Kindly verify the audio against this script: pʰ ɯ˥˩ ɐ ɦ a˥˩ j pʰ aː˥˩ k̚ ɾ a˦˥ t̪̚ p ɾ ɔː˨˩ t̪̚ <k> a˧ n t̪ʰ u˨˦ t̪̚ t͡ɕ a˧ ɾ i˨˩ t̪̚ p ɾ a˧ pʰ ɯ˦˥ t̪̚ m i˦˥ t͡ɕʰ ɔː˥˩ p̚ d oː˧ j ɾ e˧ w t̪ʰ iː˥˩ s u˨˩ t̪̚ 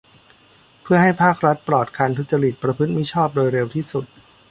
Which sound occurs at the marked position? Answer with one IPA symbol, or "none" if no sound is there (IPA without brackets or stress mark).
kʰ